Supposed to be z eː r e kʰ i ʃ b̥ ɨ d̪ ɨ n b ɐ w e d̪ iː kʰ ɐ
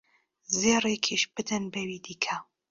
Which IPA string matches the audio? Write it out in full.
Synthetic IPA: z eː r e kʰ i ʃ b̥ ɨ d̪ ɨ n b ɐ w i d̪ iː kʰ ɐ